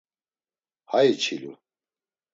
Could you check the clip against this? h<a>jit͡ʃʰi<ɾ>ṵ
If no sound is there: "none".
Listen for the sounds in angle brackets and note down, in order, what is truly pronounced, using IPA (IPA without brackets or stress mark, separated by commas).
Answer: a, l